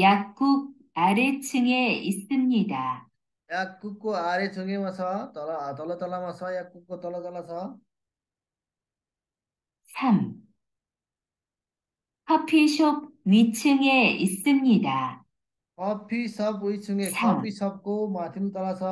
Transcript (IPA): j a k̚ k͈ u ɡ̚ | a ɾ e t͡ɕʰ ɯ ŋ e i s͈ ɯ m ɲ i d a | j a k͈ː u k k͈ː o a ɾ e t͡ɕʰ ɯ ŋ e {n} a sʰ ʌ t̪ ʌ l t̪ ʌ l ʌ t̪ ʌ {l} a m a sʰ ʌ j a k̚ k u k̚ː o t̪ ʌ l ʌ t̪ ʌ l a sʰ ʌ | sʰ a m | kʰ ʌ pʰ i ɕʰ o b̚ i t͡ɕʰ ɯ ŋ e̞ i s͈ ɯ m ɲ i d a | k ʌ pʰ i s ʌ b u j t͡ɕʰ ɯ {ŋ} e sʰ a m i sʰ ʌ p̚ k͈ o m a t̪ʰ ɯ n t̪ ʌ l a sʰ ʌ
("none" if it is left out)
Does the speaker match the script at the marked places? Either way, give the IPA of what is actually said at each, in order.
m, l, ŋ

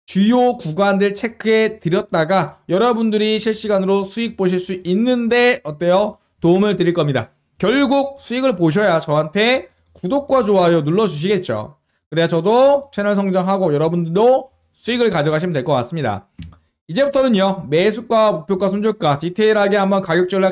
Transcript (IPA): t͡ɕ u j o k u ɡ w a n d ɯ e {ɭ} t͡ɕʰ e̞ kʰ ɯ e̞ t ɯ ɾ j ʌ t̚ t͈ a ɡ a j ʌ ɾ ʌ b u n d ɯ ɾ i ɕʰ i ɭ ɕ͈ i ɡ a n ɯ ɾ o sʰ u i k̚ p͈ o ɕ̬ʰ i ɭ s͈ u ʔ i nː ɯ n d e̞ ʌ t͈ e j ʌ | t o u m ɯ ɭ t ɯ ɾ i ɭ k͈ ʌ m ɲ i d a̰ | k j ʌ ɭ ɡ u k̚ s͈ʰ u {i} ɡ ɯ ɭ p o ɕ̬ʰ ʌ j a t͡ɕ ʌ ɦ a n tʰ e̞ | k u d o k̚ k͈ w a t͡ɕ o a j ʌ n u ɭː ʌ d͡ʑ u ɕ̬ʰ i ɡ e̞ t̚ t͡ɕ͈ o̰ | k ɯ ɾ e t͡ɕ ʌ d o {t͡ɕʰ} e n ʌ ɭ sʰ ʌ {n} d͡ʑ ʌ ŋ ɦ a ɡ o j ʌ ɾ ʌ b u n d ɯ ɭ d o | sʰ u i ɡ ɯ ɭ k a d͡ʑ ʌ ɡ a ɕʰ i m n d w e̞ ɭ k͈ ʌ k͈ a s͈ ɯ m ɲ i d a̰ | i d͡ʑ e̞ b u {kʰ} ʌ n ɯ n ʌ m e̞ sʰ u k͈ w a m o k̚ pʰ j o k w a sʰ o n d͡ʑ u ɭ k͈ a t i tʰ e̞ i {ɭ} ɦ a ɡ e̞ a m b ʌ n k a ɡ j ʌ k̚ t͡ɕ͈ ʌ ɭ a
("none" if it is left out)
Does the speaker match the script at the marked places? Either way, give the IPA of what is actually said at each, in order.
ɭ, i, t͡ɕʰ, ŋ, tʰ, ɾ

